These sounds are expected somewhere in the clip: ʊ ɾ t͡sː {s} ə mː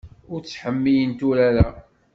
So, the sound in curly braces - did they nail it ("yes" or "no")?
no